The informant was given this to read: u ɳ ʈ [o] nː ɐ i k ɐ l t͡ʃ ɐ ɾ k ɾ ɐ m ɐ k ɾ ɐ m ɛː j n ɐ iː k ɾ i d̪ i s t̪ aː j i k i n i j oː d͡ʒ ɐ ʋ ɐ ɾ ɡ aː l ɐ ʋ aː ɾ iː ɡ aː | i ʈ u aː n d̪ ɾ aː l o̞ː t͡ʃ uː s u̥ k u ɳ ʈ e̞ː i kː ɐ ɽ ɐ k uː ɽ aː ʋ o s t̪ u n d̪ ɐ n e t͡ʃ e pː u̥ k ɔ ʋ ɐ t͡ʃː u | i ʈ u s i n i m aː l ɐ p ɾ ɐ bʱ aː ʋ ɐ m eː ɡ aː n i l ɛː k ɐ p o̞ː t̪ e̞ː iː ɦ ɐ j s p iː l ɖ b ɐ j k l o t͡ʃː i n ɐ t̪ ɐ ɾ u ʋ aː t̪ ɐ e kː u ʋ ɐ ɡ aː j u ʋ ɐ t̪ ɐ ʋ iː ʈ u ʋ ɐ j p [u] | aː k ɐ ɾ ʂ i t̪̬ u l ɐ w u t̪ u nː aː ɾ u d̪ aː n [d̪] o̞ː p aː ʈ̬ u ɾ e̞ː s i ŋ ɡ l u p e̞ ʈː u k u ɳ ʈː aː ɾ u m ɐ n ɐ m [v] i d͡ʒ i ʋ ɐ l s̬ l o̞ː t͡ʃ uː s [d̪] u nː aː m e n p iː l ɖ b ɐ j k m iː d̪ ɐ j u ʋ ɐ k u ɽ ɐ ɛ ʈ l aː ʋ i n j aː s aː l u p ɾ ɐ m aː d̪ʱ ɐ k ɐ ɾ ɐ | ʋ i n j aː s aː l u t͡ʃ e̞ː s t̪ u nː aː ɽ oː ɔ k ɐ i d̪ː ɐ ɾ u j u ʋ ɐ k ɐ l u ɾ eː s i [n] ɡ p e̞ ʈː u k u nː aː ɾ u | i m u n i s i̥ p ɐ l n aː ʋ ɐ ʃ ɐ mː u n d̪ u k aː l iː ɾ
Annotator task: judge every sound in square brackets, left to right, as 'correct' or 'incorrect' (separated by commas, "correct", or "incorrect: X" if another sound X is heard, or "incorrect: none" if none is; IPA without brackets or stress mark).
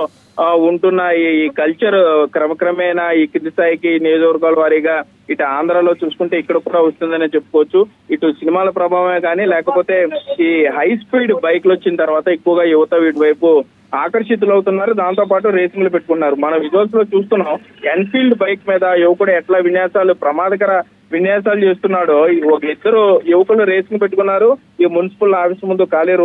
incorrect: u, correct, incorrect: t̪, incorrect: ʋ, incorrect: t̪, incorrect: ŋ